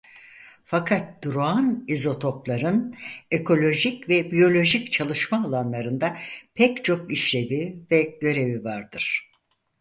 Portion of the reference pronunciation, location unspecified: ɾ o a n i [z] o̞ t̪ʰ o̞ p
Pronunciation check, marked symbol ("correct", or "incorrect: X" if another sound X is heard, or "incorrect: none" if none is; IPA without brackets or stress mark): correct